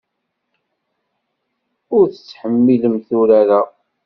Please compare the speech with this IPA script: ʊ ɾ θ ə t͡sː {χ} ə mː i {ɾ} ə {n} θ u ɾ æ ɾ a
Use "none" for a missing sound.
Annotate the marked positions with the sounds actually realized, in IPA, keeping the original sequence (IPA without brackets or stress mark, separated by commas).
ħ, l, m